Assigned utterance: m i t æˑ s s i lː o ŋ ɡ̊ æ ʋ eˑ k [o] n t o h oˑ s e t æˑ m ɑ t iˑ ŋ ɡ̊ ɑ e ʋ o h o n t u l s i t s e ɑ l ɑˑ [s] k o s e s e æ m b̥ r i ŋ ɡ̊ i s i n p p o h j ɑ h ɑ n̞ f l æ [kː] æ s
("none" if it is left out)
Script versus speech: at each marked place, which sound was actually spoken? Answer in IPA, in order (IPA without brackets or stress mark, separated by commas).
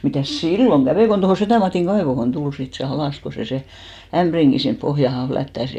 o, s, tː